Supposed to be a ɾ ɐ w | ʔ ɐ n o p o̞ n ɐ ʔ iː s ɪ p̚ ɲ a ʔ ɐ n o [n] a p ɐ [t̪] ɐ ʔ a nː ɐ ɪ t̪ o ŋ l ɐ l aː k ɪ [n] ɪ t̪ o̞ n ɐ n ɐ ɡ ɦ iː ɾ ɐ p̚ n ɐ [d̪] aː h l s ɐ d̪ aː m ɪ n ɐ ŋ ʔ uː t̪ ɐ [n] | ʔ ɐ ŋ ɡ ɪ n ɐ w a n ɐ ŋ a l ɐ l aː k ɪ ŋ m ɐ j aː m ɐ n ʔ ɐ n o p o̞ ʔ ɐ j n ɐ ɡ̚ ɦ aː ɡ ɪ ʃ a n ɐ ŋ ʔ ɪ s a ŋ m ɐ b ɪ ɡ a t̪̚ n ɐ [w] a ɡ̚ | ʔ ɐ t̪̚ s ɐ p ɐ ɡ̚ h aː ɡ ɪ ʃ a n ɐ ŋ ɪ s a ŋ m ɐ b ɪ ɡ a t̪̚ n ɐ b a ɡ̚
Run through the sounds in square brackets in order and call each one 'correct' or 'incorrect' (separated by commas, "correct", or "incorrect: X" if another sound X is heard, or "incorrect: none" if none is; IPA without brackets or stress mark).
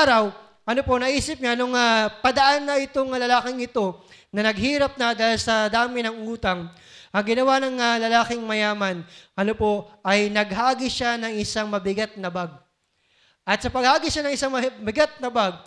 incorrect: ŋ, incorrect: d̪, incorrect: ŋ, correct, incorrect: ŋ, incorrect: b